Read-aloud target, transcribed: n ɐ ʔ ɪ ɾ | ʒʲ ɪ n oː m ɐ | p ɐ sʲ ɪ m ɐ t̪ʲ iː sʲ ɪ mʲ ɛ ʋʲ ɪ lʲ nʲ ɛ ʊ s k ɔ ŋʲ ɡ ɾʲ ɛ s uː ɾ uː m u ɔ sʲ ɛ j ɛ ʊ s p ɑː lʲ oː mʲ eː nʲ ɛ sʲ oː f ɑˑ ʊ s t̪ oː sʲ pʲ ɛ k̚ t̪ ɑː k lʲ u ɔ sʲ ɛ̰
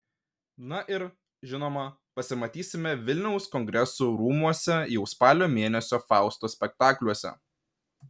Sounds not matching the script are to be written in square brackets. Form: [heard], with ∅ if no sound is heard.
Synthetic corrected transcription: n ɐ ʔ ɪ ɾ | ʒʲ ɪ n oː m ɐ | p ɐ sʲ ɪ m ɐ t̪ʲ iː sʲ ɪ mʲ ɛ ʋʲ ɪ lʲ nʲ ɛ ʊ s k ɔ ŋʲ ɡ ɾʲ ɛ s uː ɾ uː m u ɔ sʲ ɛ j ɛ ʊ s p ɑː lʲ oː mʲ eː nʲ ɛ sʲ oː f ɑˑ ʊ s t̪ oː sʲ pʲ ɛ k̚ t̪ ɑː k lʲ u ɔ sʲ ɛ̰